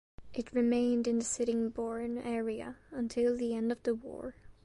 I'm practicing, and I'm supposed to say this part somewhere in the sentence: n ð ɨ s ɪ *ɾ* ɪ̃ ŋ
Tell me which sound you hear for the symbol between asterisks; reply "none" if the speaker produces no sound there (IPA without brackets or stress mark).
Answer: ɾ